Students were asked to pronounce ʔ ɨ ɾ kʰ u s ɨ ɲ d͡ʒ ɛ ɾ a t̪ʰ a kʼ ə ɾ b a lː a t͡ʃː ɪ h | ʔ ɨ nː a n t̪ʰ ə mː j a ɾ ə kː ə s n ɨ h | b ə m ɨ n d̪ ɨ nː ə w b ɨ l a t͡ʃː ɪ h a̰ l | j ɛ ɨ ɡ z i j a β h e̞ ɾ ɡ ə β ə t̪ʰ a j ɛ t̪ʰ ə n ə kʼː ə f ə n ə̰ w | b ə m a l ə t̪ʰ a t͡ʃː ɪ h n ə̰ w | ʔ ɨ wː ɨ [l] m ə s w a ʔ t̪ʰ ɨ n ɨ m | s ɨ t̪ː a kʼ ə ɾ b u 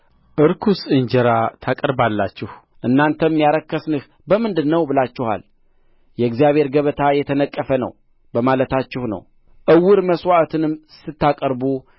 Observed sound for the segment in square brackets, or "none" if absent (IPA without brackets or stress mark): ɾ